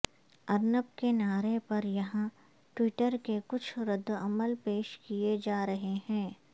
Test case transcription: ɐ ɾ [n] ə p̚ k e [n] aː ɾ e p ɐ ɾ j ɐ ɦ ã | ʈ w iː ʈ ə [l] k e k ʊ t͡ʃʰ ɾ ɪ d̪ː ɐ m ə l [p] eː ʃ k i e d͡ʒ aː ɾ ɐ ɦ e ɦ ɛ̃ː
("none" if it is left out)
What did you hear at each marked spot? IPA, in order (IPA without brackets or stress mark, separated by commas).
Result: n, n, ɾ, p